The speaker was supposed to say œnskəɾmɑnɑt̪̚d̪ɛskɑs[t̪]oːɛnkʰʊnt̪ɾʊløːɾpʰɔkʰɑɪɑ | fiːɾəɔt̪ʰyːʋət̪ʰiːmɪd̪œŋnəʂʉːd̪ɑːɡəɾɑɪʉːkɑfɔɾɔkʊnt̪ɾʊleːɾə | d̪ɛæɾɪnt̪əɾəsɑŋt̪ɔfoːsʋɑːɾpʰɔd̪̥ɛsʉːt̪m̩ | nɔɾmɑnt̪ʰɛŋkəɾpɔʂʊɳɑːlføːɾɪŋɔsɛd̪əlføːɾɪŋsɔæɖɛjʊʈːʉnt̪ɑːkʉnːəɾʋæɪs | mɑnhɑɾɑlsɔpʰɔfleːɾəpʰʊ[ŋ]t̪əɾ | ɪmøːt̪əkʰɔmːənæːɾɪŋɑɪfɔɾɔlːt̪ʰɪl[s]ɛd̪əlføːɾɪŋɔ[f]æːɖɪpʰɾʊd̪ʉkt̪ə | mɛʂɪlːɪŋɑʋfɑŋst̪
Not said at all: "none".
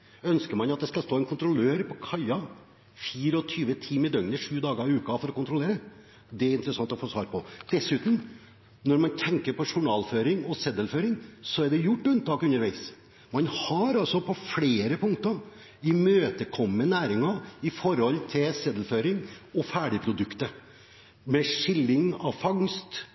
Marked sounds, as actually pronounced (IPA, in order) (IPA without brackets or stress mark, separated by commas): t̪, ŋ, s, f